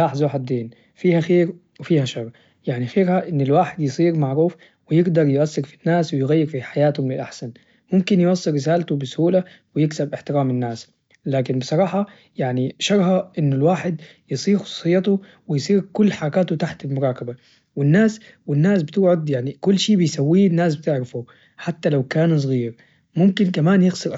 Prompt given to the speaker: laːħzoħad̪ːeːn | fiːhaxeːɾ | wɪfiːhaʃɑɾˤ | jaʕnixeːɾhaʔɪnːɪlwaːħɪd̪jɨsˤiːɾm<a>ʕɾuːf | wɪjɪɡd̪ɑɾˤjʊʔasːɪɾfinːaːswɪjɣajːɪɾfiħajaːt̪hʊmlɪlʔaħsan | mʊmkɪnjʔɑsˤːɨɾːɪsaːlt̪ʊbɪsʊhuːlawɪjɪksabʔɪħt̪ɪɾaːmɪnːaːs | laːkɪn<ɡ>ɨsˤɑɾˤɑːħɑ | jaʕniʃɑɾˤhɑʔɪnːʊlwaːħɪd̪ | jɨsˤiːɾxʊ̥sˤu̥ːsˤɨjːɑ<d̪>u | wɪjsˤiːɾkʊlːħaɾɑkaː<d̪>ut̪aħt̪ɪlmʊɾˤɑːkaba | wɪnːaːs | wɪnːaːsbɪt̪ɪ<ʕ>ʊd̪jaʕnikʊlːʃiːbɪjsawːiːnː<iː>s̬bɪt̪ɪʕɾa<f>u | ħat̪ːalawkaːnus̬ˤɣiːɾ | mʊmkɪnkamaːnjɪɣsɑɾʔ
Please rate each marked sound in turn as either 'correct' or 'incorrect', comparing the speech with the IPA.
correct, incorrect: b, incorrect: t̪, incorrect: t̪, correct, incorrect: aː, correct

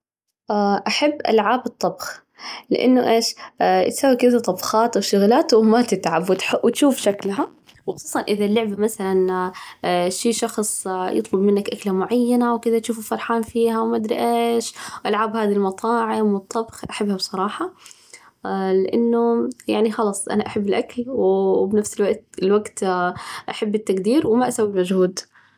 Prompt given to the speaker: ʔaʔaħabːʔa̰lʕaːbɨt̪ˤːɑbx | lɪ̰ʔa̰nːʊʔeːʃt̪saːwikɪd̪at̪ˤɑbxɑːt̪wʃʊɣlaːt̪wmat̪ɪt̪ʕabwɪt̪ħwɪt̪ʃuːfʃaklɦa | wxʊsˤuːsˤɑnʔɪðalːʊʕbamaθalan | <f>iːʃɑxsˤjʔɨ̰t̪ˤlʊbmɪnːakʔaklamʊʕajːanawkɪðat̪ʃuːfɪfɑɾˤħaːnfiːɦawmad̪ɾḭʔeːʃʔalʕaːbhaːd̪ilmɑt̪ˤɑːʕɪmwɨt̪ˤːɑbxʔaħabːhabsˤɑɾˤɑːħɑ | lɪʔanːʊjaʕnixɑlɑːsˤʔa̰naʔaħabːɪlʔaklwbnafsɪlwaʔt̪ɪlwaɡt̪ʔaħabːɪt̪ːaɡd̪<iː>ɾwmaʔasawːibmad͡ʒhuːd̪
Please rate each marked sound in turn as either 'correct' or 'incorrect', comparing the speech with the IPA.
incorrect: ʃ, correct

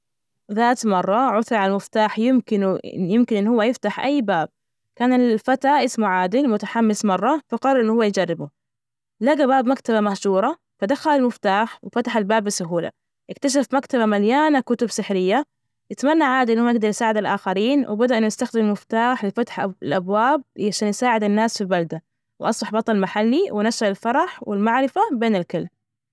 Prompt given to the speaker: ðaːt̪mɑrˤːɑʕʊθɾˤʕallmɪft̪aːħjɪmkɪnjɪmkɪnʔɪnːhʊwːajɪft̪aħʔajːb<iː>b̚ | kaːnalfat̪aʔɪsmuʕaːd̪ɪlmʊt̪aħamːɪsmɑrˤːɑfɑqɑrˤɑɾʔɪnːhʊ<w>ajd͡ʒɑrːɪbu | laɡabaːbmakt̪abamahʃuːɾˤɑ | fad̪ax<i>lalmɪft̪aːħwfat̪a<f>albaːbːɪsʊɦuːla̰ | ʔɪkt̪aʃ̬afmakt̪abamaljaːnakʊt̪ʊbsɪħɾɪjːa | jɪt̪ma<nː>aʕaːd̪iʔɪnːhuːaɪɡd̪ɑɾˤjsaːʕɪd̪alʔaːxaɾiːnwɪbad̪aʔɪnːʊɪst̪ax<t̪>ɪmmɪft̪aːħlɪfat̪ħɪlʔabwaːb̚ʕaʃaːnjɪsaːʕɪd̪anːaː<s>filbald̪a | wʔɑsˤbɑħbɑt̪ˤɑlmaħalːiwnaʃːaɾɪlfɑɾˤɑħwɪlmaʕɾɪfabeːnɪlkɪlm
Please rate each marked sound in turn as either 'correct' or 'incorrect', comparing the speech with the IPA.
incorrect: aː, incorrect: wː, incorrect: a, incorrect: ħ, correct, incorrect: d̪, correct

